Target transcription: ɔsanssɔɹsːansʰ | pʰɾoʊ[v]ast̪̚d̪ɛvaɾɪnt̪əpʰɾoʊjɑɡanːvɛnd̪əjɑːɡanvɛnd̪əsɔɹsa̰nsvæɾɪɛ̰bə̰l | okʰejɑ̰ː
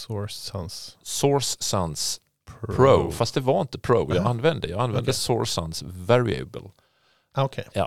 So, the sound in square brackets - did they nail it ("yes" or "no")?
no